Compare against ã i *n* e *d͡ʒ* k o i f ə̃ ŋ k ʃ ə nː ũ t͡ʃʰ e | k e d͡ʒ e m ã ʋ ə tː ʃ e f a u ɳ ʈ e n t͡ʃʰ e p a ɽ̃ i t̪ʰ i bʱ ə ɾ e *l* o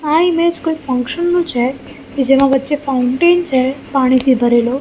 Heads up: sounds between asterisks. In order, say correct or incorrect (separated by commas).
incorrect, correct, correct